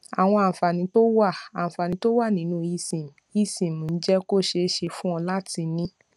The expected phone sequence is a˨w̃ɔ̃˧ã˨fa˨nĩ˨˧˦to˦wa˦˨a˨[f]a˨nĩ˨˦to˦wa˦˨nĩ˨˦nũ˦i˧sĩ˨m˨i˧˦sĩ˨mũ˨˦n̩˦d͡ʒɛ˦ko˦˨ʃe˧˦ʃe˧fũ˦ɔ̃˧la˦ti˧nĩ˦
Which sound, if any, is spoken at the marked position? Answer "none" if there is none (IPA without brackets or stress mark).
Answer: f